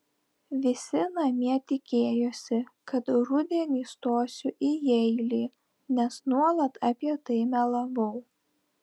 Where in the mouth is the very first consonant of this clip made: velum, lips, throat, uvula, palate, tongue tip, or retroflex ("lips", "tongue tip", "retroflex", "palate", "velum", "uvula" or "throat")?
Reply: lips